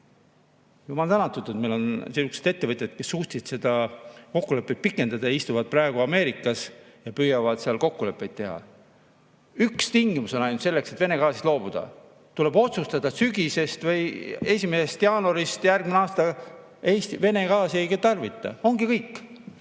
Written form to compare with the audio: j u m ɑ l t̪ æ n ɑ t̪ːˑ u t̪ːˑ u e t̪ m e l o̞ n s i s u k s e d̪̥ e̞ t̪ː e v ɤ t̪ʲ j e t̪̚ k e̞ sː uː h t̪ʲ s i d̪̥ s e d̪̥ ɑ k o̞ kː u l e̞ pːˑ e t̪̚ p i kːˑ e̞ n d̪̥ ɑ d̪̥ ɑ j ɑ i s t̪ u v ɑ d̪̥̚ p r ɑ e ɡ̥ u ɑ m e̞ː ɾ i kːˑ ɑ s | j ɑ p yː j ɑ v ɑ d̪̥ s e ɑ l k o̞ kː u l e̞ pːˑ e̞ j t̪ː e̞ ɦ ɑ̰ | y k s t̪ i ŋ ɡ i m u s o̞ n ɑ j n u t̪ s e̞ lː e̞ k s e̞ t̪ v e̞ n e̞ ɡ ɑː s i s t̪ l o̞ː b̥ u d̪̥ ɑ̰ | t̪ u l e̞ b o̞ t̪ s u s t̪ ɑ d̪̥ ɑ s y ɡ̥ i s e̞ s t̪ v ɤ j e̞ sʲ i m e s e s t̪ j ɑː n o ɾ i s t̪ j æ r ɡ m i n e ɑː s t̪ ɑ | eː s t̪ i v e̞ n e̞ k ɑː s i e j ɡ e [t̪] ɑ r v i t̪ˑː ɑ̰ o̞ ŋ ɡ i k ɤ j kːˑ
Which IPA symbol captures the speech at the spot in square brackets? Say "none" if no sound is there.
t̪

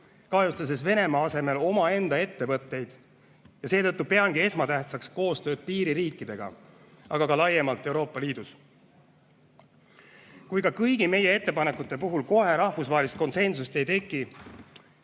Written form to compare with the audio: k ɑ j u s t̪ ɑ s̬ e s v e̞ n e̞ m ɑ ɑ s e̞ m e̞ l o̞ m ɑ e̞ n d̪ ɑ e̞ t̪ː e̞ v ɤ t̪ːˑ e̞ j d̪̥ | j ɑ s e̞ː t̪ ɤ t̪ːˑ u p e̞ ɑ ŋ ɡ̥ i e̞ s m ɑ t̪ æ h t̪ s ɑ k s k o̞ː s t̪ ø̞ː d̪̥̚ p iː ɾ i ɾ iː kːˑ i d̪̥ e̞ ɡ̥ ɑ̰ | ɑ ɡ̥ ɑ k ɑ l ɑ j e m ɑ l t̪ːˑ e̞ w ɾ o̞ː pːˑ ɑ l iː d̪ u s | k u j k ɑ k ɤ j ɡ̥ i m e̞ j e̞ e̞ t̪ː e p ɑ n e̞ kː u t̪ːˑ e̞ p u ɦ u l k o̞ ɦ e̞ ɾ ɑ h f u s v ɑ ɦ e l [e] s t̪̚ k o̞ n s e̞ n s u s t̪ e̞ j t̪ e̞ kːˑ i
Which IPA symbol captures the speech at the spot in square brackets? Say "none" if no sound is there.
i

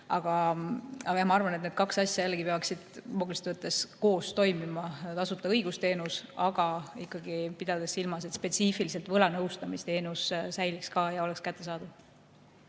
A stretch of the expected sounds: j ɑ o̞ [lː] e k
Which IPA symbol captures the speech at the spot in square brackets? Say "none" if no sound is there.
l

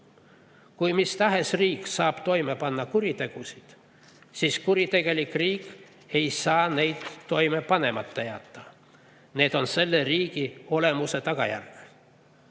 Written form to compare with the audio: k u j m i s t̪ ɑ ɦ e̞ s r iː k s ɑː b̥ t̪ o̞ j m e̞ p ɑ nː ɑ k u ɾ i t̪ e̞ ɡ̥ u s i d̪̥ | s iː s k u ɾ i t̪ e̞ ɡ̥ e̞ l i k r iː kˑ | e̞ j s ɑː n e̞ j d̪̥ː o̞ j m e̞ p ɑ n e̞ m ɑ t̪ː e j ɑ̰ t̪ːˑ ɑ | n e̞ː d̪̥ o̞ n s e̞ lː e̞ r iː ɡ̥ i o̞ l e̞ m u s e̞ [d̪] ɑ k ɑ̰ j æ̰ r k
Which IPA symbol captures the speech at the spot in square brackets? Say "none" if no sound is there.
t̪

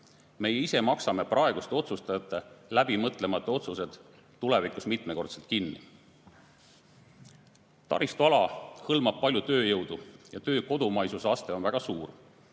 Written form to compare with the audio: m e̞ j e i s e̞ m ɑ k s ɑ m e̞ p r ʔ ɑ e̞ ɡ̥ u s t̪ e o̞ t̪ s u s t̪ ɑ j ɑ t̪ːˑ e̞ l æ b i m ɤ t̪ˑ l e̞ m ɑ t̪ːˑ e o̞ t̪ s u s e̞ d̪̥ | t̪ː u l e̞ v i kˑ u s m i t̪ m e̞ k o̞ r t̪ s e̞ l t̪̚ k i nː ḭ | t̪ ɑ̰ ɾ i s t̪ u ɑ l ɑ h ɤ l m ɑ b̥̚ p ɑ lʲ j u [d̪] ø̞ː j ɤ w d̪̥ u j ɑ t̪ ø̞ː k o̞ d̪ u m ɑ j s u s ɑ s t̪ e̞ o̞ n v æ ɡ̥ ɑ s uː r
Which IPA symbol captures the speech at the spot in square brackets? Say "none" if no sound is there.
t̪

